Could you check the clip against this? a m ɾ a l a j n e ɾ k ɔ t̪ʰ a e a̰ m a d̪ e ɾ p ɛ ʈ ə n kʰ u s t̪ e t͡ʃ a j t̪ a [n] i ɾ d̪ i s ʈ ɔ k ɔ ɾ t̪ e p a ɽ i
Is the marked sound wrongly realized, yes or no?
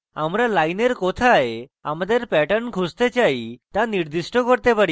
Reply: no